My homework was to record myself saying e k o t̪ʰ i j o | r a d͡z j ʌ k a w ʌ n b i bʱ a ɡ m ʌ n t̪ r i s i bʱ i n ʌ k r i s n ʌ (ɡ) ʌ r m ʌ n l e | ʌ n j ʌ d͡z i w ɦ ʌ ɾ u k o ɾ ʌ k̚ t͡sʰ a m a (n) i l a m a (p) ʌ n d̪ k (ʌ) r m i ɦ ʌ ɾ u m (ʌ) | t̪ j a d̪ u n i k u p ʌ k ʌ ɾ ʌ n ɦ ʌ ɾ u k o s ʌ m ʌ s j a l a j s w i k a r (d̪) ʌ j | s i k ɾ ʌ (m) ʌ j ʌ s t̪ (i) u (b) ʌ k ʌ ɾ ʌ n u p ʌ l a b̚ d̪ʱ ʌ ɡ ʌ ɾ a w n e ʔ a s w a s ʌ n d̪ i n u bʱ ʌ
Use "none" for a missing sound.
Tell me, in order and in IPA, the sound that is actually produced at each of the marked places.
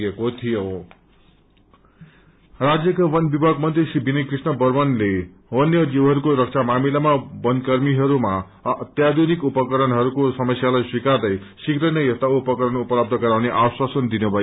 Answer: b, m, b, ʌ, a, d̪, n, a, p

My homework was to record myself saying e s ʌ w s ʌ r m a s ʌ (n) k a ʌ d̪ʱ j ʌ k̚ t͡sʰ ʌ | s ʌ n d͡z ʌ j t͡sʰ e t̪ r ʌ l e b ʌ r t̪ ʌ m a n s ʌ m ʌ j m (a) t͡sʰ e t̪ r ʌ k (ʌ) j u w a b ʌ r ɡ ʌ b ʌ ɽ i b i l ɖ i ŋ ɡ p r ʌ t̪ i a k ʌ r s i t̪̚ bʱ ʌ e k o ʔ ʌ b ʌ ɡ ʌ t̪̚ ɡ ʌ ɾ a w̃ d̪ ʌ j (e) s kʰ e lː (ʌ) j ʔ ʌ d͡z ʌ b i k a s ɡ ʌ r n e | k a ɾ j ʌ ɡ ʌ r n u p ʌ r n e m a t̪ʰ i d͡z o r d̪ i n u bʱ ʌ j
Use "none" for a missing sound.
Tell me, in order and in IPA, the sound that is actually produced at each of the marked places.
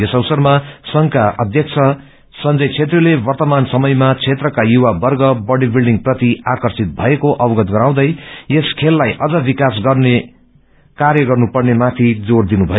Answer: ŋ, a, a, e, a

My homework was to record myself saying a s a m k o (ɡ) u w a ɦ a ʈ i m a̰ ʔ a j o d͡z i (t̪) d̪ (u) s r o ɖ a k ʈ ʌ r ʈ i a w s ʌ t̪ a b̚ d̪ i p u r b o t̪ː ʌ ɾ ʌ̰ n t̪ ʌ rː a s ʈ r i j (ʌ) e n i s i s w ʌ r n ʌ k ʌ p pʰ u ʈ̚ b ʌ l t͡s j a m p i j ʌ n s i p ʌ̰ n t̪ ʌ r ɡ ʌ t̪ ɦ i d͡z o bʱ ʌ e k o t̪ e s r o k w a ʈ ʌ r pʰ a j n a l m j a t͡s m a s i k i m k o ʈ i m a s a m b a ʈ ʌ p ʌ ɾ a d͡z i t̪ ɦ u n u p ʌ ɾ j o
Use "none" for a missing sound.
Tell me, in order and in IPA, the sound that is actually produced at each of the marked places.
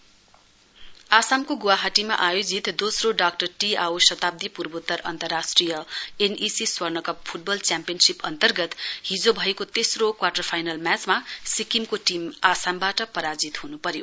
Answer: ɡ, t̪, o, ʌ

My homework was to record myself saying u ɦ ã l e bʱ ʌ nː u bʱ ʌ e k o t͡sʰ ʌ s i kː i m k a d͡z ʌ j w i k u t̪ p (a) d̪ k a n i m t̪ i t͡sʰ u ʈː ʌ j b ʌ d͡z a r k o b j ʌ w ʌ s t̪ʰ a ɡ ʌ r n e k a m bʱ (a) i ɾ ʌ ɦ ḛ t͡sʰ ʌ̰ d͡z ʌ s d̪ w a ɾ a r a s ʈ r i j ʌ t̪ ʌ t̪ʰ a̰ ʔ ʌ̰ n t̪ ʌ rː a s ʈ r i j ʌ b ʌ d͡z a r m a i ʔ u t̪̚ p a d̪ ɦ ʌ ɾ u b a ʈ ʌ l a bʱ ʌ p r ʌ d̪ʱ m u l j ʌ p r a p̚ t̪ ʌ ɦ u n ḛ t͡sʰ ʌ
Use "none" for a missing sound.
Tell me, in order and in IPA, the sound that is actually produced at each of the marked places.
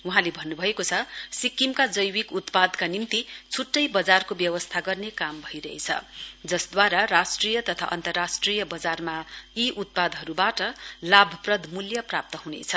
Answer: a, ʌ

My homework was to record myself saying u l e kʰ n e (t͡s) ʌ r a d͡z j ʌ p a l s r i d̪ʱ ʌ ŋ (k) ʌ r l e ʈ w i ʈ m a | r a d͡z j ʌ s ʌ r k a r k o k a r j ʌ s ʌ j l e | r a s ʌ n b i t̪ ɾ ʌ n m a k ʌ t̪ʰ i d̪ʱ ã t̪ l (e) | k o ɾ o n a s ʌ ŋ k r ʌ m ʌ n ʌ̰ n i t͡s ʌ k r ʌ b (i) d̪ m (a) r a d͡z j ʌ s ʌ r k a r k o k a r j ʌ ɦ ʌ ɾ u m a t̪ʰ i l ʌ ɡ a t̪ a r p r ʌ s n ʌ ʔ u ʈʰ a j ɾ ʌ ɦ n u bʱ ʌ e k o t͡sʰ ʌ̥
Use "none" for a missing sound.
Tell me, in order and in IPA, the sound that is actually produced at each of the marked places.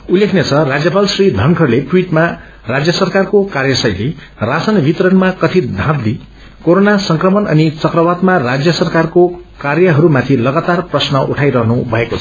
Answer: t͡sʰ, kʰ, i, a, a

